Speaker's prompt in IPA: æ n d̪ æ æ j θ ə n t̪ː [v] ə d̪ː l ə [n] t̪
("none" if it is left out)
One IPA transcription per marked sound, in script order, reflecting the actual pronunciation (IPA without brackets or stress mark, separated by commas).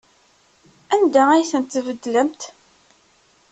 v, m